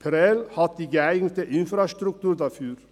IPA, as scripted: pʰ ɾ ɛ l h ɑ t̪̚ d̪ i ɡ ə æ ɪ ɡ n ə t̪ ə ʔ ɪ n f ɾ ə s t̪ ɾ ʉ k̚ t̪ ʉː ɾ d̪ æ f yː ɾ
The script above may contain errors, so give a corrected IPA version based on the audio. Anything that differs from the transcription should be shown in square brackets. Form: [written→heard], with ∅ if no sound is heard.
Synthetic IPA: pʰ ɾ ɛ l h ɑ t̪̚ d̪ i ɡ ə æ ɪ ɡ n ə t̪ ə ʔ ɪ n f ɾ [ə→ɑ] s t̪ ɾ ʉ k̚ t̪ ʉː ɾ d̪ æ f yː ɾ